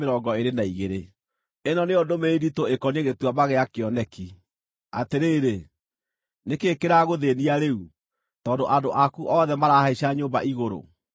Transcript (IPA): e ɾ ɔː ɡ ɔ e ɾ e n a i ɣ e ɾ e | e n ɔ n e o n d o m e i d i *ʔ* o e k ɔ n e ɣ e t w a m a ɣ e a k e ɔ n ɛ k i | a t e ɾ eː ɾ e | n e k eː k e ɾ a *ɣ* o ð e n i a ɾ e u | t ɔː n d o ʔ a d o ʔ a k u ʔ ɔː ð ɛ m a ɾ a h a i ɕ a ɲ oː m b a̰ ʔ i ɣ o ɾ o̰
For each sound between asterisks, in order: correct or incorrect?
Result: incorrect, correct

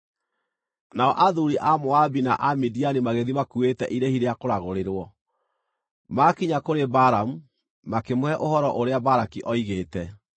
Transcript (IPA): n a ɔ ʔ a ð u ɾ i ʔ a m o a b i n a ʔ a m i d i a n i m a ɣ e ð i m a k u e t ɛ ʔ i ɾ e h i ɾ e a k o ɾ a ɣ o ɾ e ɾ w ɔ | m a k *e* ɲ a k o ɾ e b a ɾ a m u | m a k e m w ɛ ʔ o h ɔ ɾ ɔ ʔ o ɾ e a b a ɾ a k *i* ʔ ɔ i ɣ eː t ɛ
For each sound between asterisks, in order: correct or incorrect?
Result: incorrect, correct

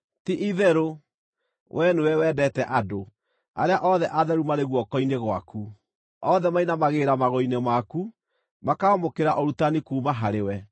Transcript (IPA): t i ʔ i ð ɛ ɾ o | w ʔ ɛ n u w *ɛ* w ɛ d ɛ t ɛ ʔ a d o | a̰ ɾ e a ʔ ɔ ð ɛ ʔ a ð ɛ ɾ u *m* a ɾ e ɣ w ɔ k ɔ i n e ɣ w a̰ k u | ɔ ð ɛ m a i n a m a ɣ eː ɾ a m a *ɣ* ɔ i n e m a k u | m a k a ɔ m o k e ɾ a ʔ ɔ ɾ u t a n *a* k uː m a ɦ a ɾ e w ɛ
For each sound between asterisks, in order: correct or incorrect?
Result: correct, correct, correct, incorrect

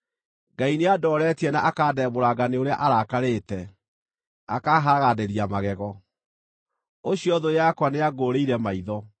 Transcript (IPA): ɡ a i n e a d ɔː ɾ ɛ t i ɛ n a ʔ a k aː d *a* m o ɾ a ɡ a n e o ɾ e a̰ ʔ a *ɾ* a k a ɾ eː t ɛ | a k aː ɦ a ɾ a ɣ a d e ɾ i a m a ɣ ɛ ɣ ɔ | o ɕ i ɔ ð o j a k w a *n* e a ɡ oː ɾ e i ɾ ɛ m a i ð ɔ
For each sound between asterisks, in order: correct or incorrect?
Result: incorrect, correct, correct

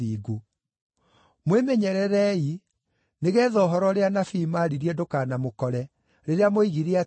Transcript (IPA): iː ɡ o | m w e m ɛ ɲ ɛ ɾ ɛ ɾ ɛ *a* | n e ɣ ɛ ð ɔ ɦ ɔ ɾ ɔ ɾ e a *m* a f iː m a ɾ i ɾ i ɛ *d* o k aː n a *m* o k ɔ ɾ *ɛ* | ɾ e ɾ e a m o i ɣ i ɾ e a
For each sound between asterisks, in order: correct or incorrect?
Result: incorrect, incorrect, correct, correct, correct

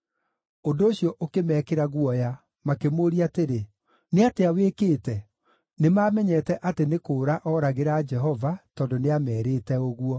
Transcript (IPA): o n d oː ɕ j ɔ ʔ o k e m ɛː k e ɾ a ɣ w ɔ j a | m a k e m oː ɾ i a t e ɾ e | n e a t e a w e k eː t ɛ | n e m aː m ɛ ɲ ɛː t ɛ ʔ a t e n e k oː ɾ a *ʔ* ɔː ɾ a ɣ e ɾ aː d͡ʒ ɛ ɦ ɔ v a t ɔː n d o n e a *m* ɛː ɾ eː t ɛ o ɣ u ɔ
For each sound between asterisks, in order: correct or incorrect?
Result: correct, correct

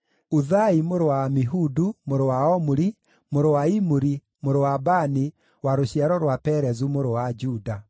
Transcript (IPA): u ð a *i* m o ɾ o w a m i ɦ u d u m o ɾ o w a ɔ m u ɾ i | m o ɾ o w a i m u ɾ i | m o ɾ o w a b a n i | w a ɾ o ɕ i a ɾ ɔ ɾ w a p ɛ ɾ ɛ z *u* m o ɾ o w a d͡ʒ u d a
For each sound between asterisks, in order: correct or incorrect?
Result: correct, correct

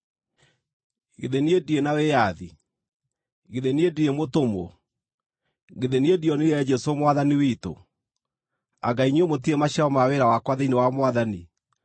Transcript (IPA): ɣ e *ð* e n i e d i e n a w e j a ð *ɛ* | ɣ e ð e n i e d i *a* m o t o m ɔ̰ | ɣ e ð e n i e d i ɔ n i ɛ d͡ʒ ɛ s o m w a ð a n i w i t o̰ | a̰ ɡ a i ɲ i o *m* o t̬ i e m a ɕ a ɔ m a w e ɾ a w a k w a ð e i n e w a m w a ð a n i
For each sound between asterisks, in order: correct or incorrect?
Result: correct, incorrect, incorrect, correct

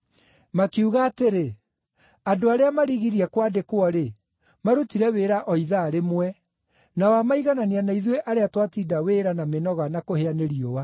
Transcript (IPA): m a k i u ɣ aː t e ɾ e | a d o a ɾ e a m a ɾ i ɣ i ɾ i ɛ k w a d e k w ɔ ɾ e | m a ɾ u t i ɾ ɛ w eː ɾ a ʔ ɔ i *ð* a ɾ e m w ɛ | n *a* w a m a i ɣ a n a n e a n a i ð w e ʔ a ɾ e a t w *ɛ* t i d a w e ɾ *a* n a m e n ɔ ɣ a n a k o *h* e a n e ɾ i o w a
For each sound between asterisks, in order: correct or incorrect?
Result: correct, correct, incorrect, correct, correct

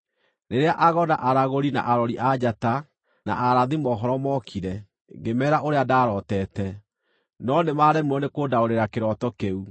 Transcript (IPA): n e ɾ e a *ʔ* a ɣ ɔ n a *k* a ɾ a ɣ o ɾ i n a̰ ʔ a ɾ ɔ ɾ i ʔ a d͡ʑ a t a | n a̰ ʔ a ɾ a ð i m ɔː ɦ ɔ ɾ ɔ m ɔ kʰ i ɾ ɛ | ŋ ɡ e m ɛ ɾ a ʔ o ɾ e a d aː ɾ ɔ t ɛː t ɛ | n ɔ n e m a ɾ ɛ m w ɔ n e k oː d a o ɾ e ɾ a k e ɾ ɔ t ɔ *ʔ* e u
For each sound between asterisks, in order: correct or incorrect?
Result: correct, incorrect, incorrect

